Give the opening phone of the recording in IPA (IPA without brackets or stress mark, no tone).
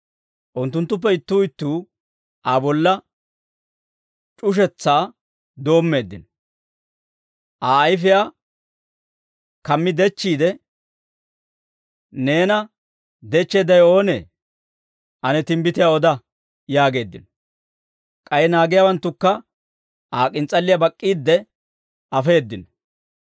ʔ